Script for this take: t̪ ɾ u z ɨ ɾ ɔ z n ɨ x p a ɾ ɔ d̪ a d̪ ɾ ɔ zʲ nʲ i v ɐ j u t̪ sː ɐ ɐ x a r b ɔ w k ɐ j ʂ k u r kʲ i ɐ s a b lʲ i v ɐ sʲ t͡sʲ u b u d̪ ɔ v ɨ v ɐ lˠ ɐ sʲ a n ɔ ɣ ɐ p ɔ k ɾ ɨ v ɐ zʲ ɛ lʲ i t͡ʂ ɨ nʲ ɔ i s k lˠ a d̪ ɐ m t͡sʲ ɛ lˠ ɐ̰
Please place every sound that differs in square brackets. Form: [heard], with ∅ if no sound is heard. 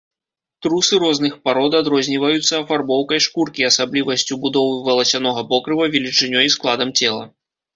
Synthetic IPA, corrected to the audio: t̪ ɾ u [s] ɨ ɾ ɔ z n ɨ x p a ɾ ɔ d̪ a d̪ ɾ ɔ zʲ nʲ i v ɐ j u t̪ sː ɐ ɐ [f] a r b ɔ w k ɐ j ʂ k u r kʲ i ɐ s a b lʲ i v ɐ sʲ t͡sʲ u b u d̪ ɔ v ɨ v ɐ lˠ ɐ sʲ a n ɔ ɣ ɐ p ɔ k ɾ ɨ v ɐ [vʲ] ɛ lʲ i t͡ʂ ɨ nʲ ɔ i s k lˠ a d̪ ɐ m t͡sʲ ɛ lˠ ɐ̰